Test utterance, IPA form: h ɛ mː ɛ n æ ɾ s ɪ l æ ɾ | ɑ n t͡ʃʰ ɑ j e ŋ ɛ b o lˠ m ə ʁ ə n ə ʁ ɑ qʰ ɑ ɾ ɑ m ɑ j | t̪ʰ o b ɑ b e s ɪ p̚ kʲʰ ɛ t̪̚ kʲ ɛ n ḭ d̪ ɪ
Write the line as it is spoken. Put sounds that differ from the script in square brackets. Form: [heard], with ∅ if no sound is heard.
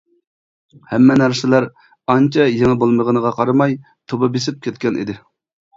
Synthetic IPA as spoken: h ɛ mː ɛ n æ ɾ s ɪ l æ ɾ | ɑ n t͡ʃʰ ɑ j e ŋ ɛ b o lˠ m ə ʁ ə n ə ʁ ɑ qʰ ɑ ɾ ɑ m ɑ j | t̪ʰ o b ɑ b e s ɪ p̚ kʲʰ ɛ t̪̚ kʲ ɛ n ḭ d̪ ɪ